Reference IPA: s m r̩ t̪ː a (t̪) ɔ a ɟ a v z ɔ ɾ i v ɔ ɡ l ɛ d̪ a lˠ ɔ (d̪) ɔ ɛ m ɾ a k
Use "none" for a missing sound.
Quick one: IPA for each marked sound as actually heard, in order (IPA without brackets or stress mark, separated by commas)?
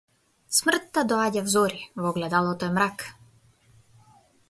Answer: d̪, t̪